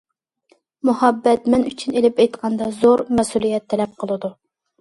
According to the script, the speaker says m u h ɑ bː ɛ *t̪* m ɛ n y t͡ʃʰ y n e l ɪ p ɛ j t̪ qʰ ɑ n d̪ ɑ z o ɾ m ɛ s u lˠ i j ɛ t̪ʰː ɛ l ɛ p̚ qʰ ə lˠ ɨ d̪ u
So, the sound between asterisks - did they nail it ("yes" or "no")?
yes